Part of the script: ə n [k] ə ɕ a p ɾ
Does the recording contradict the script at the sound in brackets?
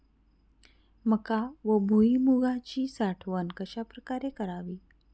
no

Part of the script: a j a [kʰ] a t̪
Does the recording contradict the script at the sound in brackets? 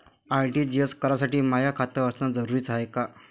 no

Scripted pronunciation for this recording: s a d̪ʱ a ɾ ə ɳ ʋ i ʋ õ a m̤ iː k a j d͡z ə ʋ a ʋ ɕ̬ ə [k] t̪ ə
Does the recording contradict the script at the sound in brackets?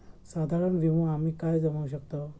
no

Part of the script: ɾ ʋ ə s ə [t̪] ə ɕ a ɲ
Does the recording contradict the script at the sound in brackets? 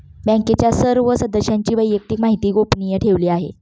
yes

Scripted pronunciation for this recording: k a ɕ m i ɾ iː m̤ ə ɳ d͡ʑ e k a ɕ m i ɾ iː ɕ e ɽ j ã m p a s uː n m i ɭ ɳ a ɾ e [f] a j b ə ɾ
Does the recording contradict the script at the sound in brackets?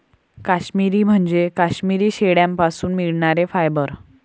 no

